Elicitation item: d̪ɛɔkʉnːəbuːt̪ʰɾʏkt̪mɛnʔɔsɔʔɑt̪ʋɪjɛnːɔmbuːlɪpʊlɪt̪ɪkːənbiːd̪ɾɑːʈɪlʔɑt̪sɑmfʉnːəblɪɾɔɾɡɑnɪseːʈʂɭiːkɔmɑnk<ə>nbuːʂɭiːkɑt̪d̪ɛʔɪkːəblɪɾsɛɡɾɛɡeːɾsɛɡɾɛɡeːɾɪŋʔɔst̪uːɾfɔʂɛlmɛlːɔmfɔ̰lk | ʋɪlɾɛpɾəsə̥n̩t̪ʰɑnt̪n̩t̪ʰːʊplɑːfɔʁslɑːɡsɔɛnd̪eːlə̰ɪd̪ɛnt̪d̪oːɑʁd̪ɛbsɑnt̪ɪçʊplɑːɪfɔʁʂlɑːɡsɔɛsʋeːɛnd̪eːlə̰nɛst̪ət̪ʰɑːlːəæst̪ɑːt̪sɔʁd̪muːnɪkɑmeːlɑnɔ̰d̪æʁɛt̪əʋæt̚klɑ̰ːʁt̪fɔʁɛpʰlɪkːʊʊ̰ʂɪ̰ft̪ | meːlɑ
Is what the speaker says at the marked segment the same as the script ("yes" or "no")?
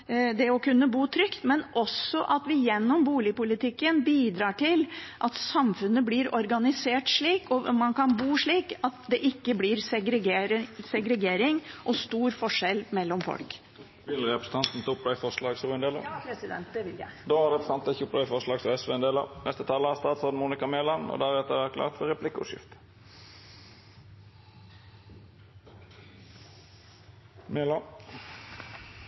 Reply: no